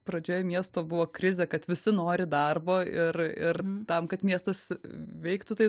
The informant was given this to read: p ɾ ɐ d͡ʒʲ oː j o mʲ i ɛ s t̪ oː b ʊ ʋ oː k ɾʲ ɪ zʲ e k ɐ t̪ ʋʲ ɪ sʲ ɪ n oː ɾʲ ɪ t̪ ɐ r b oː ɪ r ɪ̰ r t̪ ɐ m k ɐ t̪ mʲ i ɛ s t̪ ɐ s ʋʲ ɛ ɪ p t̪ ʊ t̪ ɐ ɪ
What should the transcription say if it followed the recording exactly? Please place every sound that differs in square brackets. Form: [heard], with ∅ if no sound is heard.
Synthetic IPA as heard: p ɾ ɐ d͡ʒʲ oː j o mʲ i ɛ s t̪ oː b ʊ ʋ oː k ɾʲ ɪ zʲ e k ɐ t̪ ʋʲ ɪ sʲ ɪ n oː ɾʲ ɪ [d̪] ɐ r b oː ɪ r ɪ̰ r t̪ ɐ m k ɐ t̪ mʲ i ɛ s t̪ ɐ s ʋʲ ɛ ɪ [k] t̪ ʊ t̪ ɐ ɪ